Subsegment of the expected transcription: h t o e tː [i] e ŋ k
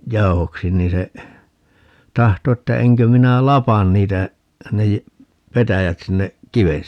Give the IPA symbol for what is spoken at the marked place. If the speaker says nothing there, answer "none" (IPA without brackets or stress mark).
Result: æ